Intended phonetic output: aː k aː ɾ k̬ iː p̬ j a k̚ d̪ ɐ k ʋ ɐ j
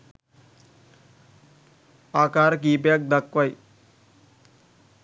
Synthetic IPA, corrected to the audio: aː k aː ɾ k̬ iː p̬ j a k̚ d̪ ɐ k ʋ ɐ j